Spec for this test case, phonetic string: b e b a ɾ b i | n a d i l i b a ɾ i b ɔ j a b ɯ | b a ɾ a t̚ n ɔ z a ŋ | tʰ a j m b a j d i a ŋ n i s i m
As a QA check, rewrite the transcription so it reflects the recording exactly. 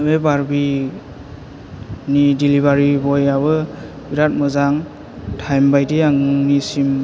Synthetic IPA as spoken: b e b a ɾ b i | n i d i l i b a ɾ i b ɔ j a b ɯ | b i ɾ a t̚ m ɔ z a ŋ | tʰ a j m b a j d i a ŋ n i s i m